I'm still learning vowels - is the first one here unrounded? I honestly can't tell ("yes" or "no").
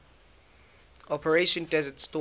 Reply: no